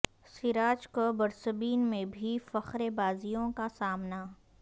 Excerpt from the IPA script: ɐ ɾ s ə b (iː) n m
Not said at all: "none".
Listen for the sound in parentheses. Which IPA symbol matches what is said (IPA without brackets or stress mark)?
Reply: iː